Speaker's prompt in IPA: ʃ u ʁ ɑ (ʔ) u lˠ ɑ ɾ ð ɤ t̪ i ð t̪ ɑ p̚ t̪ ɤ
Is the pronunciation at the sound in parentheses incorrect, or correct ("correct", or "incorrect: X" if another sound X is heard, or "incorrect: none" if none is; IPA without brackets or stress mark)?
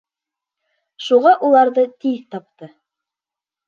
correct